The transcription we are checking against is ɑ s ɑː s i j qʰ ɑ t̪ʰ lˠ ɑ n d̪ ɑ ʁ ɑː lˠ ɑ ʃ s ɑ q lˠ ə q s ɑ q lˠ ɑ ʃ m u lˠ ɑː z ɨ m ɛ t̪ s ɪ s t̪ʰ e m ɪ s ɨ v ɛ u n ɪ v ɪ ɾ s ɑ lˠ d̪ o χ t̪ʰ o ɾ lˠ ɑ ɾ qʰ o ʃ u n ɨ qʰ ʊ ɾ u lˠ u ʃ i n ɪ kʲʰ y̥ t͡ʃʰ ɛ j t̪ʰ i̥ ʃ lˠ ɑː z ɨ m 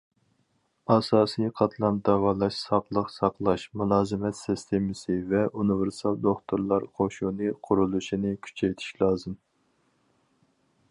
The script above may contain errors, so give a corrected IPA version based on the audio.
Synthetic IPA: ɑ s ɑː s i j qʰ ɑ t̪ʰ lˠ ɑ n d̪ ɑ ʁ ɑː lˠ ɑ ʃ s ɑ q lˠ ə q s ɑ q lˠ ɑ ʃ m u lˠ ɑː z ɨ m ɛ t̪ s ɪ s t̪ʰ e m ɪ s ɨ v ɛ u n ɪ v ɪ ɾ s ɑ lˠ d̪ o χ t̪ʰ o ɾ lˠ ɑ ɾ qʰ o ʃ u n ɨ qʰ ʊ ɾ u lˠ u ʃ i n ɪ kʲʰ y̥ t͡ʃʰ ɛ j t̪ʰ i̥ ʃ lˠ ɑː z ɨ m